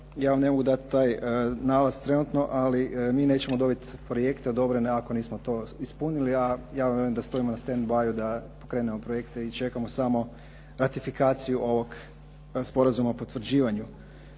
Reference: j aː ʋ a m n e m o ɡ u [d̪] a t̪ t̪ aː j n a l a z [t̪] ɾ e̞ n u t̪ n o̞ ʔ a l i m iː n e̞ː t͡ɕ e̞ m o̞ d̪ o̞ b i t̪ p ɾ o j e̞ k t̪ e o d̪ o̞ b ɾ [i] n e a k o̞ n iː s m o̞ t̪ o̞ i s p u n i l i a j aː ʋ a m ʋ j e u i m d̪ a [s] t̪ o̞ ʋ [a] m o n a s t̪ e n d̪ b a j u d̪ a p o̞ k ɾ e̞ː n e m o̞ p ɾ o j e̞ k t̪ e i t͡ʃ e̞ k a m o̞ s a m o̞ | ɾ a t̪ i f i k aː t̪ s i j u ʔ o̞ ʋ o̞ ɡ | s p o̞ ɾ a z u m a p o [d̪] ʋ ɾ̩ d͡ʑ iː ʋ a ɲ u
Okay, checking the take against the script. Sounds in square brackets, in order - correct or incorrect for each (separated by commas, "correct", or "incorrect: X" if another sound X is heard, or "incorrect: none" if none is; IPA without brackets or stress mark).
correct, correct, incorrect: e, correct, incorrect: i, incorrect: t̪